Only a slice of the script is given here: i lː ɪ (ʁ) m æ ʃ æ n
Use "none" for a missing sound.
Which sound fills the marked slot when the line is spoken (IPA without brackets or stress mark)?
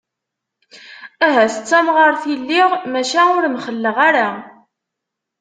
ʁ